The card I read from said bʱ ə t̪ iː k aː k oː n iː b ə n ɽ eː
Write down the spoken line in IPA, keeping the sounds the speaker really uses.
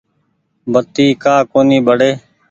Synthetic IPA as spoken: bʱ ə t̪ iː k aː k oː n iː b ə ɽ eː